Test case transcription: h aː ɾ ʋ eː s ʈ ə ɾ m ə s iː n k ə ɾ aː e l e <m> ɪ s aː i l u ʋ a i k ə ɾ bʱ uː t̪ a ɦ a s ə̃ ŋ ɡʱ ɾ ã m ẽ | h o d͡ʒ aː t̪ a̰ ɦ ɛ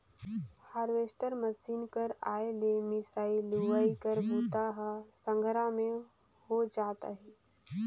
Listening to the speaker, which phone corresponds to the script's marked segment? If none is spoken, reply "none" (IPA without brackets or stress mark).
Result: m